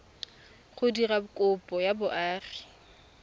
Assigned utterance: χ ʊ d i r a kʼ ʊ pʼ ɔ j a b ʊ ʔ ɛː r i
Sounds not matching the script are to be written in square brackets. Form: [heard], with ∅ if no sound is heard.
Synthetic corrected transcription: χ ʊ d i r a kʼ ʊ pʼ ɔ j a b ʊ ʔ [aː] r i